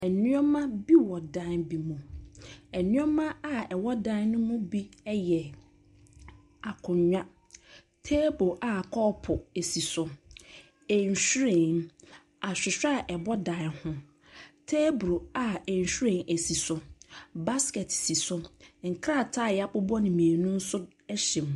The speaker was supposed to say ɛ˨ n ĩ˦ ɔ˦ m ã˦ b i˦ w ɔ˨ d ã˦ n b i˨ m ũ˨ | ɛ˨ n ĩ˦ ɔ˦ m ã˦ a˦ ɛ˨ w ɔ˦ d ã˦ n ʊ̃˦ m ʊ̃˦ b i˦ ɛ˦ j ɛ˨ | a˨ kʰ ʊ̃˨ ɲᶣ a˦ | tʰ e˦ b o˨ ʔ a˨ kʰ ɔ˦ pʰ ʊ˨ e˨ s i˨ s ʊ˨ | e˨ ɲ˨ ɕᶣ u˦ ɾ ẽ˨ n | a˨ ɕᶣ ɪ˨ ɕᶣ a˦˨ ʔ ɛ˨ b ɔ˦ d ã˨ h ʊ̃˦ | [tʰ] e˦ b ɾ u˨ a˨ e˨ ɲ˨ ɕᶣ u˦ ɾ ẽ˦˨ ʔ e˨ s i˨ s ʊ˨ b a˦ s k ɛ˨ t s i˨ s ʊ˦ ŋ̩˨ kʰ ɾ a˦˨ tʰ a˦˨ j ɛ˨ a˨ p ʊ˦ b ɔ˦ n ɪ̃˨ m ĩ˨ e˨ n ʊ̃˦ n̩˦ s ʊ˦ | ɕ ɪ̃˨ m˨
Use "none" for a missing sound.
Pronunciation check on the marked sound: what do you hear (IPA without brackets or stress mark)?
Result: tʰ